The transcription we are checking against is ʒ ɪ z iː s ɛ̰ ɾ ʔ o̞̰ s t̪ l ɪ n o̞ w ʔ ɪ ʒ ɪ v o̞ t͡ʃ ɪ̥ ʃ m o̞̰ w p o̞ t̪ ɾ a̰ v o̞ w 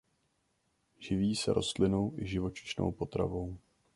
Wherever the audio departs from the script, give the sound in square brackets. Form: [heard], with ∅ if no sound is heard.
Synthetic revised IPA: ʒ ɪ [v] iː s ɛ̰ ɾ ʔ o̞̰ s t̪ l ɪ n o̞ w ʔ ɪ ʒ ɪ v o̞ t͡ʃ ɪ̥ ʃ [n] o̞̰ w p o̞ t̪ ɾ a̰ v o̞ w